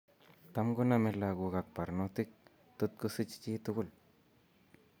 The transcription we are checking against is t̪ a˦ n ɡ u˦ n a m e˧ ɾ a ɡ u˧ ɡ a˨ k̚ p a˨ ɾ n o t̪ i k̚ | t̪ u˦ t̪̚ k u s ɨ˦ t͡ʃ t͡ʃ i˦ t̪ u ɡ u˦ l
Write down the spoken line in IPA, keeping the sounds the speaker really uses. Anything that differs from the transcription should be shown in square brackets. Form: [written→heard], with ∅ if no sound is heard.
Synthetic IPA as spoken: t̪ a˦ [n→m] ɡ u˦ n a m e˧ [ɾ→l] a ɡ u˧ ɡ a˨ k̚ p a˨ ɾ n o t̪ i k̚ | t̪ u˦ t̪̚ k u s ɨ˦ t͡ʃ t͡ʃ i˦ t̪ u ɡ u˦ l